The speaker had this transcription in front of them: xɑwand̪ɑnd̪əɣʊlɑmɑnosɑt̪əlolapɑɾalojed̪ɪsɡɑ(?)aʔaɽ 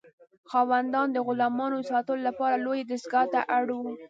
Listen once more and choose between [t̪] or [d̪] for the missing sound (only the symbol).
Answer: t̪